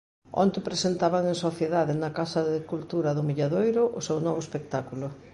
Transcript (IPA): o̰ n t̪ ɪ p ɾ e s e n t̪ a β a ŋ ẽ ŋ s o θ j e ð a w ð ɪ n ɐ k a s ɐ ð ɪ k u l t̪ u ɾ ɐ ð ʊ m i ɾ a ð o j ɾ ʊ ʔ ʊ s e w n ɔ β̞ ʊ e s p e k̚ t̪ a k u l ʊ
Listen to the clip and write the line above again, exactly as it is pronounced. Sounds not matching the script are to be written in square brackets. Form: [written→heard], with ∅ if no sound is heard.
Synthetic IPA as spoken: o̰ n t̪ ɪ p ɾ e s e n t̪ a β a ŋ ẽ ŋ s o θ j e ð a [w→∅] ð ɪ n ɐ k a s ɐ ð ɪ k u l t̪ u ɾ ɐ ð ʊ m i [ɾ→ʎ] a ð o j ɾ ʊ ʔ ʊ s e w n ɔ β̞ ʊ e s p e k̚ t̪ a k u l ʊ